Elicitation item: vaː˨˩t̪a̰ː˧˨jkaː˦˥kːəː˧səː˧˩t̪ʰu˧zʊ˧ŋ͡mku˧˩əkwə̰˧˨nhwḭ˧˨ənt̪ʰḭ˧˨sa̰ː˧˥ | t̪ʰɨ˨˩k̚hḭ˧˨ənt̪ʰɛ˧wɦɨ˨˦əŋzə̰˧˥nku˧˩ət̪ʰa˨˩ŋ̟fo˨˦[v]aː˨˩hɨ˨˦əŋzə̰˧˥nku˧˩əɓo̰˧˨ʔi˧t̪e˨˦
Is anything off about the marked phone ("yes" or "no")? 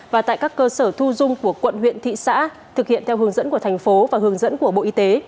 no